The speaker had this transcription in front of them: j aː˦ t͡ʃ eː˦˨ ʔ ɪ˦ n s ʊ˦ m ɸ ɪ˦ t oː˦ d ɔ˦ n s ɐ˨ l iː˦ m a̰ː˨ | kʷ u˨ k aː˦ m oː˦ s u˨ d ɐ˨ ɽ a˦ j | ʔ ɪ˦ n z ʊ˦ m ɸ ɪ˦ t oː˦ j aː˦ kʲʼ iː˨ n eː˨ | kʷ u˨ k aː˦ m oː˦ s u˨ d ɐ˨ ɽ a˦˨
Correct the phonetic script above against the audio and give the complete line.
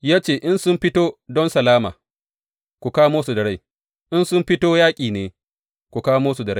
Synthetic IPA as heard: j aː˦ t͡ʃ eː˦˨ ʔ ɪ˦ n s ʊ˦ m ɸ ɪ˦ t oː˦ d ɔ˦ n s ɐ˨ l aː˦ m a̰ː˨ | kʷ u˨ k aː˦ m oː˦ s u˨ d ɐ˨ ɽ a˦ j | ʔ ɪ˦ n s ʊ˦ m ɸ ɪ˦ t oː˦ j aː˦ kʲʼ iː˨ n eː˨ | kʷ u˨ k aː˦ m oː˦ s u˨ d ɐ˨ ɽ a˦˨